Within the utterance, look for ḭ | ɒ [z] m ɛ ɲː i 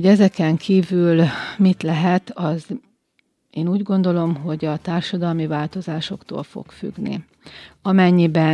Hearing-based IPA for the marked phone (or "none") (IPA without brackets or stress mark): none